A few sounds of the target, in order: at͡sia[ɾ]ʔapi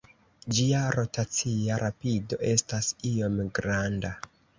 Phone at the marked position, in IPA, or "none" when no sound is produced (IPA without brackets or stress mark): ɾ